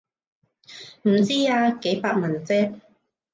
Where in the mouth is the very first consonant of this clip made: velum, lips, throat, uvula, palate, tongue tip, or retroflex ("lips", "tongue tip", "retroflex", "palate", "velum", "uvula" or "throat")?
lips